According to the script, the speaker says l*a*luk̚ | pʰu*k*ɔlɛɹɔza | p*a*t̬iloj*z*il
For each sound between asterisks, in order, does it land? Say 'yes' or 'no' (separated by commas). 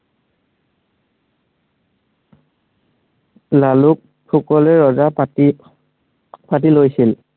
yes, yes, yes, no